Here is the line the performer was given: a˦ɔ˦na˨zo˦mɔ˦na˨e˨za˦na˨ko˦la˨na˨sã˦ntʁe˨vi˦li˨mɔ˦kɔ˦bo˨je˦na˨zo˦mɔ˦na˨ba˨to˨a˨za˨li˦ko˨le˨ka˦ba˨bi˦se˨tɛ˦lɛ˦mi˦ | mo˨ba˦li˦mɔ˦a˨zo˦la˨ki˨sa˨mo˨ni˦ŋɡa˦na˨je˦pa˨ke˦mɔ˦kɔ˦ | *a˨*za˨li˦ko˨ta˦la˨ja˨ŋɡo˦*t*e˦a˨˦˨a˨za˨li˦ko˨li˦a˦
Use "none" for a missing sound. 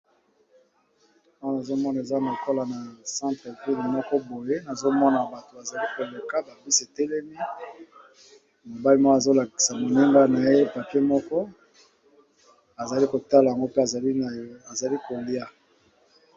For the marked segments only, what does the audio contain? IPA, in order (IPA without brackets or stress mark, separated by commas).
a˨, p